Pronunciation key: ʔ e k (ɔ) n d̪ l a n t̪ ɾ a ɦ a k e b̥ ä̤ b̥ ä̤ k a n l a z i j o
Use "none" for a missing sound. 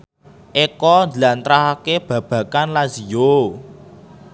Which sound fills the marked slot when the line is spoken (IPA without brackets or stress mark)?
ɔ